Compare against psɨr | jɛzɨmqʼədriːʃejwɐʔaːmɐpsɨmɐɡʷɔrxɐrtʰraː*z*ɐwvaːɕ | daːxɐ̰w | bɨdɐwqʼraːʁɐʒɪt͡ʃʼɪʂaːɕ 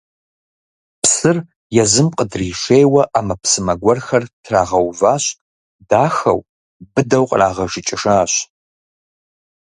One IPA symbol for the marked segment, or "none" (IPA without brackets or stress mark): ʁ